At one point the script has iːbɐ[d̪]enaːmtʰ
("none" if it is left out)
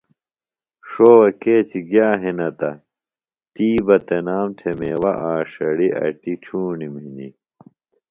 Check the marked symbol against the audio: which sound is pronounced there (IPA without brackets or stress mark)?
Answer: t̪